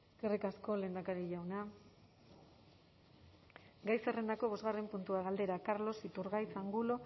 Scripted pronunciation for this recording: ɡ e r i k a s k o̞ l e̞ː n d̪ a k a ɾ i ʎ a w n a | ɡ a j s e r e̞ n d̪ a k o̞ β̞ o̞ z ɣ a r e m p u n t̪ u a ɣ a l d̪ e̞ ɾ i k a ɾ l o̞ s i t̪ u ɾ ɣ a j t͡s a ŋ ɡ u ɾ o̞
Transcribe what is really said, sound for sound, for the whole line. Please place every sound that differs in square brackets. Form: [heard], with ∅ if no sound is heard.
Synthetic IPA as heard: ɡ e r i k a s k o̞ l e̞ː n d̪ a k a ɾ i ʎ a w n a | ɡ a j s e r e̞ n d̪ a k o̞ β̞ o̞ z ɣ a r e m p u n t̪ u a ɣ a l d̪ e̞ ɾ [a] k a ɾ l o̞ s i t̪ u ɾ ɣ a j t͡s a ŋ ɡ u [l] o̞